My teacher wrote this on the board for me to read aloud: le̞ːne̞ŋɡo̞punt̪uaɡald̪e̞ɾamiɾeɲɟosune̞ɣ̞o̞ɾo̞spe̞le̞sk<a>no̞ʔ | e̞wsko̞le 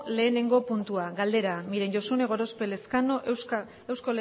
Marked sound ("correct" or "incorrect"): correct